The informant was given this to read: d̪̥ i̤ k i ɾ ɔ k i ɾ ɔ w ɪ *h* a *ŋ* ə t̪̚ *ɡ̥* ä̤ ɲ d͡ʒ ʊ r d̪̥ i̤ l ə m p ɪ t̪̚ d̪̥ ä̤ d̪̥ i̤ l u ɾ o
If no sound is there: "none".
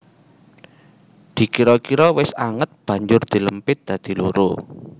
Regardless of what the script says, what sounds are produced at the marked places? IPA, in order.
s, ŋ, b̥

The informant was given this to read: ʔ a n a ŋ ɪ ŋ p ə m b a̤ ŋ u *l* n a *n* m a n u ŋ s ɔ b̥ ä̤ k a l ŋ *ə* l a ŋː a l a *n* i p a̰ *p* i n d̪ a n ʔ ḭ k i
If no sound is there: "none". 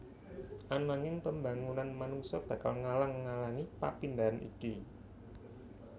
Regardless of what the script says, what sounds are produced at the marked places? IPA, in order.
none, n, a, ŋ, p

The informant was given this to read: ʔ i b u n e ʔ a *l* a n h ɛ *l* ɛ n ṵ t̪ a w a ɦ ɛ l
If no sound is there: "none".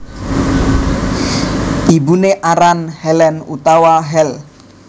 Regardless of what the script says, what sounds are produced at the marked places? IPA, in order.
ɾ, l

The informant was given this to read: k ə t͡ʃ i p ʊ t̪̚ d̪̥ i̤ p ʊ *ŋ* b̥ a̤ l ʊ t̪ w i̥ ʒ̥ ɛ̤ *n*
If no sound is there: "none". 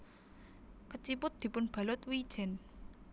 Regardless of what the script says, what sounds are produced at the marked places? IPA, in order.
n, n

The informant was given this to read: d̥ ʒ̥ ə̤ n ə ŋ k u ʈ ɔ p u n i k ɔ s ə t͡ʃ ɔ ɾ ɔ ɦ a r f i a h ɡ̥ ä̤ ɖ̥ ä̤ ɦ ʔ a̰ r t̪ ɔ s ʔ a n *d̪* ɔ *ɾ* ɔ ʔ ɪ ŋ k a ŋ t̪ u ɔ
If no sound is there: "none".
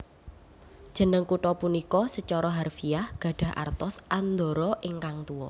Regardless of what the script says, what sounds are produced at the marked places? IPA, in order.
d̪, ɾ

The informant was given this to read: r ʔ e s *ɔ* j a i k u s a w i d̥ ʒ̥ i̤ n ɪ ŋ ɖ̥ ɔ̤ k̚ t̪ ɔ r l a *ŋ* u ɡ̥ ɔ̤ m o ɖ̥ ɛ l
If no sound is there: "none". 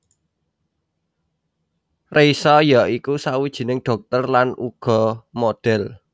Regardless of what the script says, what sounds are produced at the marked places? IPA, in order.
ɔ, n

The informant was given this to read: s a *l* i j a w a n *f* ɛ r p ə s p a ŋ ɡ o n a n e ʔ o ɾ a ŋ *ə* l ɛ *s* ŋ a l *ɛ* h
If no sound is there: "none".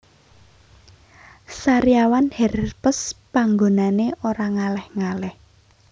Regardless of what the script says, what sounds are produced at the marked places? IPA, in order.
ɾ, h, a, h, ɛ

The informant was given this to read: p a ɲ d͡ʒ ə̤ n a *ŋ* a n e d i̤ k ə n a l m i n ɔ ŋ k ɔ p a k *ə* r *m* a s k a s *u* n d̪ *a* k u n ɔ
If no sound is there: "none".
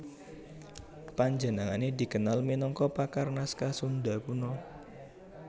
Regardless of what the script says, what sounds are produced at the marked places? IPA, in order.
ŋ, a, n, u, a

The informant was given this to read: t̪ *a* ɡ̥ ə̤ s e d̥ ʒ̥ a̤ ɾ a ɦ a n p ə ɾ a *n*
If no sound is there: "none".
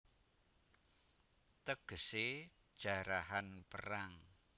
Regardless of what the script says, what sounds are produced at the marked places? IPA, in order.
ə, ŋ

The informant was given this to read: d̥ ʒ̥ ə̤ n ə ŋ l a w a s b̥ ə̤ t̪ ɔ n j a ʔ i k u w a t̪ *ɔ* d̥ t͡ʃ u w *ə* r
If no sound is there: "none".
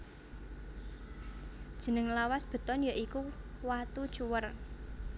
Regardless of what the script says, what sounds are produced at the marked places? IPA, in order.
u, ə

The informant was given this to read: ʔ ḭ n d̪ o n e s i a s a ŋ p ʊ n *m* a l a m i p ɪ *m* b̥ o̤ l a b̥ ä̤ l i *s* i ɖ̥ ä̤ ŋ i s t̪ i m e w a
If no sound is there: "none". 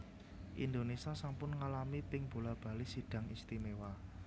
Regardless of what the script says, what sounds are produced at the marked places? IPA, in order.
ŋ, ŋ, s

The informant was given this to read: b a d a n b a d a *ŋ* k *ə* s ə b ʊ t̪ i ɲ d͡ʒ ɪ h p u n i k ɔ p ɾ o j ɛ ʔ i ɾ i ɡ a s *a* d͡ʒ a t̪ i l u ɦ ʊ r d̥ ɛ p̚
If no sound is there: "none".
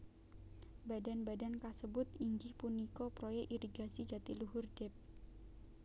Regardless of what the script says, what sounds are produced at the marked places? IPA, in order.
n, a, i

